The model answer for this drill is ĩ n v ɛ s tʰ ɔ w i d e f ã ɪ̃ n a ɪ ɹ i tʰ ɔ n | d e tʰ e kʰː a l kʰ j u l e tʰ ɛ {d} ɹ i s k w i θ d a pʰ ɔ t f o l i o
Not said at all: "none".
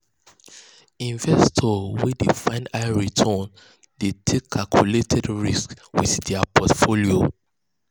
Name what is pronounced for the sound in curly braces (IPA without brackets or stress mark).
d